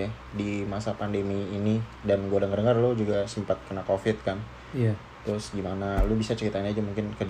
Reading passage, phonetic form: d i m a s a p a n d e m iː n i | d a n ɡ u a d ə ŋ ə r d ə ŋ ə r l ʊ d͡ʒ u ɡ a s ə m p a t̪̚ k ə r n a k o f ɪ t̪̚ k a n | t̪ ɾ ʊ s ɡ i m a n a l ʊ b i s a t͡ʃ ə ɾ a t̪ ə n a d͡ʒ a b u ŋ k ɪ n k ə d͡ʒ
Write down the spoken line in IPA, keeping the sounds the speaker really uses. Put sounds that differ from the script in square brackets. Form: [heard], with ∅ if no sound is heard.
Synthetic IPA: d i m a s a p a n d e m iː n i | d a n ɡ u a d ə ŋ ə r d ə ŋ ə r l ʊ d͡ʒ u ɡ a s ə m p a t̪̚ k ə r n a k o f ɪ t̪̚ k a n | t̪ ɾ ʊ s ɡ i m a n a l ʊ b i s a t͡ʃ ə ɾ [i] t̪ [a] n a d͡ʒ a [m] u ŋ k ɪ n k ə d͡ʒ